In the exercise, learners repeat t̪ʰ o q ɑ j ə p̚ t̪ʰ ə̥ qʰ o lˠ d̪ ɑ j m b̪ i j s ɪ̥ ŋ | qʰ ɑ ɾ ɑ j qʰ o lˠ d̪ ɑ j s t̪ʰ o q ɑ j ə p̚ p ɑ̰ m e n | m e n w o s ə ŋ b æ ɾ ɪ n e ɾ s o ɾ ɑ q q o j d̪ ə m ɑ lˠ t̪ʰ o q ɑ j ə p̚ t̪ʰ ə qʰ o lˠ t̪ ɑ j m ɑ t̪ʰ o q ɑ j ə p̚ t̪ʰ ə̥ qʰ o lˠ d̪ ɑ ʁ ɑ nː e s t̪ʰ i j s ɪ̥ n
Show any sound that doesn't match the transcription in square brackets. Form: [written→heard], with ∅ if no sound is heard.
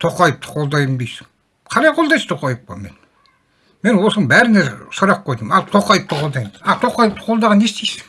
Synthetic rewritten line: t̪ʰ o q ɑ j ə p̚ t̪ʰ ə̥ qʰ o lˠ d̪ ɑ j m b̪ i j s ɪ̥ ŋ | qʰ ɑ ɾ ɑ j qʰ o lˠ d̪ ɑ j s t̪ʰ o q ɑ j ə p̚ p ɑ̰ m e n | m e n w o s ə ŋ b æ ɾ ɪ n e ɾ s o ɾ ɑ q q o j d̪ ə m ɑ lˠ t̪ʰ o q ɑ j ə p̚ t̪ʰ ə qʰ o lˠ [t̪→d̪] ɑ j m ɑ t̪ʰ o q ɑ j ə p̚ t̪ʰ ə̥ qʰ o lˠ d̪ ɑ ʁ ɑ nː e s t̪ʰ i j s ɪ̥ [n→ŋ]